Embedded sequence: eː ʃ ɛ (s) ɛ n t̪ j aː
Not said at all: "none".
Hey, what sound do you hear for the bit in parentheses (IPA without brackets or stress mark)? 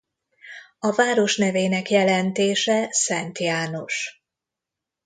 s